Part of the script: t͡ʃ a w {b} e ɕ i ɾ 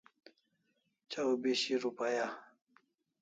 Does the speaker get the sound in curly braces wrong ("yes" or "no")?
no